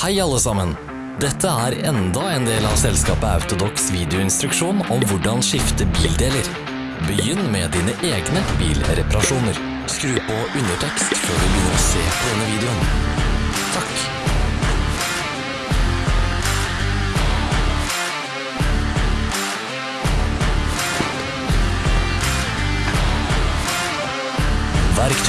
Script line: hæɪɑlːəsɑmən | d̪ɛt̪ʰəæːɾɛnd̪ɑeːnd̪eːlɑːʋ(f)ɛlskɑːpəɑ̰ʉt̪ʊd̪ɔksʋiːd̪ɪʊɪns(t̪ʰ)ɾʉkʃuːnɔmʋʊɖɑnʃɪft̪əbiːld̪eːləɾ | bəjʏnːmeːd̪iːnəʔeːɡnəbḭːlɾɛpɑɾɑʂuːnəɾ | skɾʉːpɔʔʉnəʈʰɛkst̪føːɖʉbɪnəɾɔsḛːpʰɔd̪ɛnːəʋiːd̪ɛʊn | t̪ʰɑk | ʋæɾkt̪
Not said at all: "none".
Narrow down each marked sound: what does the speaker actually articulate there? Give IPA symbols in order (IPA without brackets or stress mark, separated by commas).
s, t̪